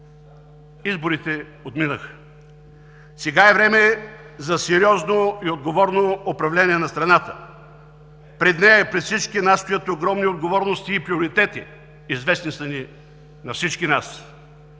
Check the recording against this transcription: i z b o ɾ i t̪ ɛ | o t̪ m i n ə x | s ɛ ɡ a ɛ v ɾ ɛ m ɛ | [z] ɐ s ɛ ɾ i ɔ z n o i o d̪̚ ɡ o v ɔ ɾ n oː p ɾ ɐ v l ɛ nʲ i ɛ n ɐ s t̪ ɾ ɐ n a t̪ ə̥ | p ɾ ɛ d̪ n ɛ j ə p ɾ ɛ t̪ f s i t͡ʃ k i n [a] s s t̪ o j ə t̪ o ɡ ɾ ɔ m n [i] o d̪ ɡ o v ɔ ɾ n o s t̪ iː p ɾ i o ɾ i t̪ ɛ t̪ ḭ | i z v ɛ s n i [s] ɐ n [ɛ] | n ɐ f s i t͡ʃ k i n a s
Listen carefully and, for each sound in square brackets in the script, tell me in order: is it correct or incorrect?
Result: correct, correct, correct, correct, incorrect

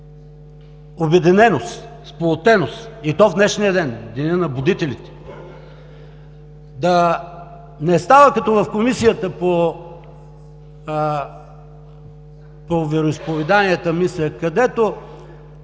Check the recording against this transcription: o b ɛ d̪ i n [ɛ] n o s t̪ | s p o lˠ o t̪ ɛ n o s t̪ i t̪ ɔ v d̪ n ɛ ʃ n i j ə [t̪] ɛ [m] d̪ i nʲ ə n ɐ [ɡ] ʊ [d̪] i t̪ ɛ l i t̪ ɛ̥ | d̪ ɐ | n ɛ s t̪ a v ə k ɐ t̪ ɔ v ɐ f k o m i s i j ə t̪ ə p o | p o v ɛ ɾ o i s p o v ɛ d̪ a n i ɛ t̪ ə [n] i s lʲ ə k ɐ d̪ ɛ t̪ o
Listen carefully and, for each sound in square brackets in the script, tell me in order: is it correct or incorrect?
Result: correct, incorrect, incorrect, incorrect, correct, incorrect

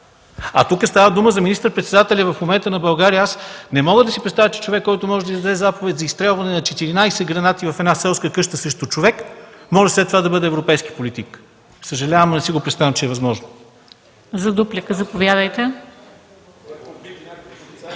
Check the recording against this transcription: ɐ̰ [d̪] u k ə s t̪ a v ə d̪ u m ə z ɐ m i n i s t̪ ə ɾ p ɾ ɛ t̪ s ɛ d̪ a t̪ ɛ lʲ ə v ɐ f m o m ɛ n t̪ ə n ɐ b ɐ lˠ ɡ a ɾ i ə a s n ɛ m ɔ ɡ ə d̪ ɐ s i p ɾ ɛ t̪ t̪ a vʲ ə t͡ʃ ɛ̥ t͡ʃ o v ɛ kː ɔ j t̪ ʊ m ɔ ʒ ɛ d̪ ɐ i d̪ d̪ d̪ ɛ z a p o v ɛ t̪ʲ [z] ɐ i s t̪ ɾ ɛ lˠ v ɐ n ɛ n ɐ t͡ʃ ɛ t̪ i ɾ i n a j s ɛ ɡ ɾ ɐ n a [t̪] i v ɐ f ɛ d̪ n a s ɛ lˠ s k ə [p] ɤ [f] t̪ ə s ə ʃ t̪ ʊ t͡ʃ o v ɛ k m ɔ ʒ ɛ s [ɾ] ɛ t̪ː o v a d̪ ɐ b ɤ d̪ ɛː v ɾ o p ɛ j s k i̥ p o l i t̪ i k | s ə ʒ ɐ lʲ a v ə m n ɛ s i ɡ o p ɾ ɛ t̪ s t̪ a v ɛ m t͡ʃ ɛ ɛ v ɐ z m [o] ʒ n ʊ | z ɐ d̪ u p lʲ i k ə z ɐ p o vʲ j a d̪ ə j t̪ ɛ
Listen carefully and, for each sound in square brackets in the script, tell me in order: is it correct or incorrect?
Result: incorrect, correct, correct, incorrect, incorrect, incorrect, incorrect

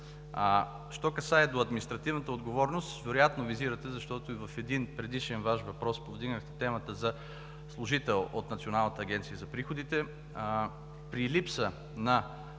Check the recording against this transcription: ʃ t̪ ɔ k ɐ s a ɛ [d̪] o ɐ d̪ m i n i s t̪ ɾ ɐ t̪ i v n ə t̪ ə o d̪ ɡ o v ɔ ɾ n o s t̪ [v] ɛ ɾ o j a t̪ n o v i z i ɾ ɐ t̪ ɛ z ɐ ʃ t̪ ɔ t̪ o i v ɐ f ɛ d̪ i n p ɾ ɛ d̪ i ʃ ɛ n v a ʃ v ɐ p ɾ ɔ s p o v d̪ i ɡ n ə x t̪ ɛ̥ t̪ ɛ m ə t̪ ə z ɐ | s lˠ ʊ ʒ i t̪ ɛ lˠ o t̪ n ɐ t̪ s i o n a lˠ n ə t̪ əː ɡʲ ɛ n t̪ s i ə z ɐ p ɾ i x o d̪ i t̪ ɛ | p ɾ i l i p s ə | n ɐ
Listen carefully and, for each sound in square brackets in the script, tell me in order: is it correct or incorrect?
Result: correct, correct

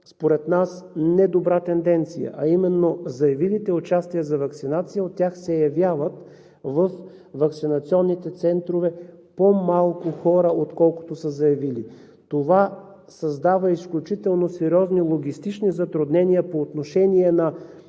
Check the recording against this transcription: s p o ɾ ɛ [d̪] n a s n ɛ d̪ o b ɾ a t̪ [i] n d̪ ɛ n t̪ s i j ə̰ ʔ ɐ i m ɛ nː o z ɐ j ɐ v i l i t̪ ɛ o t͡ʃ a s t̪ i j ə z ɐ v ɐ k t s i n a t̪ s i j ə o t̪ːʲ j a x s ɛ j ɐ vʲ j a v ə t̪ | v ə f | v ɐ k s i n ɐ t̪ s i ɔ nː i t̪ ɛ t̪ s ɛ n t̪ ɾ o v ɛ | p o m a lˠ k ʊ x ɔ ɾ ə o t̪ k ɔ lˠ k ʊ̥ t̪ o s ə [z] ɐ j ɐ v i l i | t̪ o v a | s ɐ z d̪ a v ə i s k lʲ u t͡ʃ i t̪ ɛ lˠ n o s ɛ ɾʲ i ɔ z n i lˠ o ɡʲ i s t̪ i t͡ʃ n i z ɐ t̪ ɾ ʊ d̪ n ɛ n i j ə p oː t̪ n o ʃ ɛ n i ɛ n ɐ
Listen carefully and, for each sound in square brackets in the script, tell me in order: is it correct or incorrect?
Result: incorrect, incorrect, correct

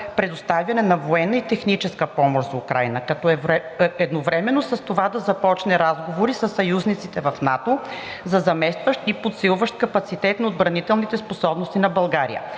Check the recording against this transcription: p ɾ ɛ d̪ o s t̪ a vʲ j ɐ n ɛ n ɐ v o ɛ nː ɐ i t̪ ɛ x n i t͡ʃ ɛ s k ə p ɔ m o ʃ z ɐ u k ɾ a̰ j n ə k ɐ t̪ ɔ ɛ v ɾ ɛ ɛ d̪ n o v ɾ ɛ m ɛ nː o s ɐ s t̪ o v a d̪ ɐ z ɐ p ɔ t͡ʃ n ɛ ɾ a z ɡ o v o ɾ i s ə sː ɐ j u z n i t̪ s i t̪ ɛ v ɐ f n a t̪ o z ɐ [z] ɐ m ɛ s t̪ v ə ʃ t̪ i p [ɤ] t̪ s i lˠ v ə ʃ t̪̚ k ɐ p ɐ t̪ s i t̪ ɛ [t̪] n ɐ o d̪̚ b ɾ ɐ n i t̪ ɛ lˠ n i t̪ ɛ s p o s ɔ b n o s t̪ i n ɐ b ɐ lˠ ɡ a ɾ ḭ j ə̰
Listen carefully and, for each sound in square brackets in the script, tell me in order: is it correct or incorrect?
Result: correct, incorrect, correct

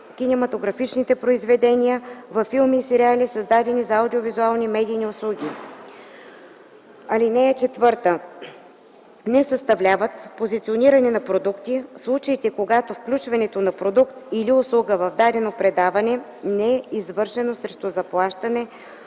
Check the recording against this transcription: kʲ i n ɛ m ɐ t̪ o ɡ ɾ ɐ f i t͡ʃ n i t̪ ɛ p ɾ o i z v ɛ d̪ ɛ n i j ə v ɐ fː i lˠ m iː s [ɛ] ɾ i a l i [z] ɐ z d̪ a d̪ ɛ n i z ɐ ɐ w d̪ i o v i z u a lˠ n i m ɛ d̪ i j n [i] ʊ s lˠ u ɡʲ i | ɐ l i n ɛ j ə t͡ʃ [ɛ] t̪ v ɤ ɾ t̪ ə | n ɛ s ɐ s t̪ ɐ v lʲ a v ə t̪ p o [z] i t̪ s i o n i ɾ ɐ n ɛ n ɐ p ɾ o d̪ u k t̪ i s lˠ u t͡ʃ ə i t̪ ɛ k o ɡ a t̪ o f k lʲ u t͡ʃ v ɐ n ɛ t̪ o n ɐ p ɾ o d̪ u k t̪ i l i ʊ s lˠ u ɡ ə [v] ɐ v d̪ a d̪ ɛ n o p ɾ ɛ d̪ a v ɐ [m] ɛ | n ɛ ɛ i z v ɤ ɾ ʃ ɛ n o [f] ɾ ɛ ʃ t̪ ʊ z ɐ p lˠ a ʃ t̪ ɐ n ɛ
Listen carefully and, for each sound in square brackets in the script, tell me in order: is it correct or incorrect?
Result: correct, incorrect, correct, correct, correct, correct, incorrect, incorrect

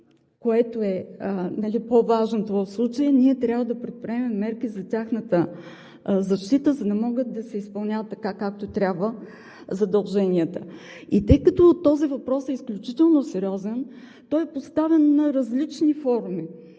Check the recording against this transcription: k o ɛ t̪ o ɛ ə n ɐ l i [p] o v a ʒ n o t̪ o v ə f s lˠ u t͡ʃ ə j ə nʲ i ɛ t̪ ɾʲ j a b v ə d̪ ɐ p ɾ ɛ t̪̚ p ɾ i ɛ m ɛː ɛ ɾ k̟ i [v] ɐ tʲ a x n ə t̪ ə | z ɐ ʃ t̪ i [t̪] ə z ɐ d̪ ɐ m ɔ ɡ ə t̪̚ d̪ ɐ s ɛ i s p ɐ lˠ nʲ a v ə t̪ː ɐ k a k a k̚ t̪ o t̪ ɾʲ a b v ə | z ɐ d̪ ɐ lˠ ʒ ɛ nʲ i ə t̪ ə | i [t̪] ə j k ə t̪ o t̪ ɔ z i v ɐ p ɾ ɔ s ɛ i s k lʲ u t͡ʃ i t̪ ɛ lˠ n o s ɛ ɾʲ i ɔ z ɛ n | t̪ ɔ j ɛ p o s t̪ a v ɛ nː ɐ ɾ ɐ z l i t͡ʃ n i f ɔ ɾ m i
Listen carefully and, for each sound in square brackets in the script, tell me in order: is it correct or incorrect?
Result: correct, incorrect, correct, correct

